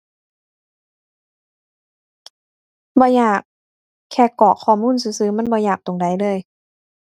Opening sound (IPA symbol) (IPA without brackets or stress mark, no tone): b